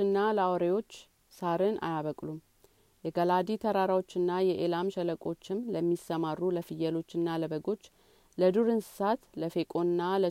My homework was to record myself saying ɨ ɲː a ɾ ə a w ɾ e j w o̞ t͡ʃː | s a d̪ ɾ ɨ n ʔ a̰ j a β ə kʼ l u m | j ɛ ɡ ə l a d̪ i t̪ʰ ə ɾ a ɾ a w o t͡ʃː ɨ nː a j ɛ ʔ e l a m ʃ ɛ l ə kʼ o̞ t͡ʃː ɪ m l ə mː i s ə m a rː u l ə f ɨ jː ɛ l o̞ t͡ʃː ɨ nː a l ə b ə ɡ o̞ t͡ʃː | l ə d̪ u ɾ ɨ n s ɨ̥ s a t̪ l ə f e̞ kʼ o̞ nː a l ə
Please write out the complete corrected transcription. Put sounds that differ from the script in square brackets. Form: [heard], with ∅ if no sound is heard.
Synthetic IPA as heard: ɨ [nː] a [l] ə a w ɾ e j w o̞ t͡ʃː | s a [∅] ɾ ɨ n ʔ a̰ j a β ə kʼ l u m | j ɛ ɡ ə l a d̪ i t̪ʰ ə ɾ a ɾ a w o t͡ʃː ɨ nː a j ɛ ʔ e l a m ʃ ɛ l ə kʼ o̞ t͡ʃː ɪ m l ə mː i s ə m a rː u l ə f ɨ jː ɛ l o̞ t͡ʃː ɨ nː a l ə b ə ɡ o̞ t͡ʃː | l ə d̪ u ɾ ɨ n s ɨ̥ s a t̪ l ə f e̞ kʼ o̞ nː a l ə